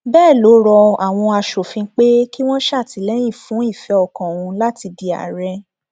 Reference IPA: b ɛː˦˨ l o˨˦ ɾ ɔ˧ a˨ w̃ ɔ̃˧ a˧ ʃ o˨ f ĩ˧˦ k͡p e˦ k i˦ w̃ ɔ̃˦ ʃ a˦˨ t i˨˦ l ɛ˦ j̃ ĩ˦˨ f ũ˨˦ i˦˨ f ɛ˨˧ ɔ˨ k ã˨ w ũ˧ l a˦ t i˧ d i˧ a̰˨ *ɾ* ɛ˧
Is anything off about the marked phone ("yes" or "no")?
no